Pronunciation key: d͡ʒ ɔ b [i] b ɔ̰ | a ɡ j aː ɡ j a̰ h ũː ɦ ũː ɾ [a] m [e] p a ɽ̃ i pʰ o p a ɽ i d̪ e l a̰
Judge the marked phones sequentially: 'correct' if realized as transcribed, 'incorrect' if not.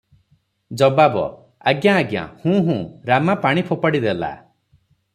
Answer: incorrect, correct, incorrect

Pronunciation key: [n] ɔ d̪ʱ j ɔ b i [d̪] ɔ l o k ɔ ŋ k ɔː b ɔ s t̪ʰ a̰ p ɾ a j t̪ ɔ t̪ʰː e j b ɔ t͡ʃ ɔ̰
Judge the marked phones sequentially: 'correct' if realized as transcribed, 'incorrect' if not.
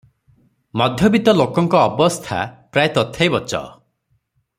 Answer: incorrect, incorrect

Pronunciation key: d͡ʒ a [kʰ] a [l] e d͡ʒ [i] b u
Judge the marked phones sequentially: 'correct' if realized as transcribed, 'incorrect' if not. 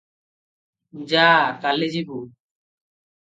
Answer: incorrect, correct, correct

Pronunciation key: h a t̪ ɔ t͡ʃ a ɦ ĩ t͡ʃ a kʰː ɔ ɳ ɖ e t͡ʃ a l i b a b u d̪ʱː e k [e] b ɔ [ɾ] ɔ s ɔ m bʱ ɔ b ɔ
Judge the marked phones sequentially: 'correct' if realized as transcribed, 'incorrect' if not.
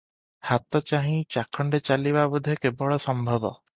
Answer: correct, incorrect

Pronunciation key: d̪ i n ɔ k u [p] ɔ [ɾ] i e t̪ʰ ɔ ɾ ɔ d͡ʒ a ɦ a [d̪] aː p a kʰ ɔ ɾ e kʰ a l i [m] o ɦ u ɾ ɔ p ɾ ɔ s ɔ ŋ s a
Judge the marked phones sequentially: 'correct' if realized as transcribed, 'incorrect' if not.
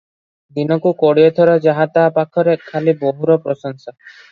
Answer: incorrect, incorrect, incorrect, incorrect

